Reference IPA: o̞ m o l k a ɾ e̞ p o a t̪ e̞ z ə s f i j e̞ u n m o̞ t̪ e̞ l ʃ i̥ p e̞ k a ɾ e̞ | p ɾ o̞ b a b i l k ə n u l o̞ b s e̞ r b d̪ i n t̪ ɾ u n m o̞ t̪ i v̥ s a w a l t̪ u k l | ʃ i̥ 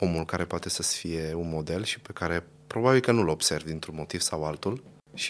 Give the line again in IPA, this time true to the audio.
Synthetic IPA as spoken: o̞ m u l k a ɾ e̞ p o a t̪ e̞ s ə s f i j e̞ u n m o̞ d̪ e̞ l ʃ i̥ p e̞ k a ɾ e̞ | p ɾ o̞ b a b i l k ə n u l o̞ b s e̞ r v d̪ i n t̪ ɾ u n m o̞ t̪ i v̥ s a w a l t̪ u l | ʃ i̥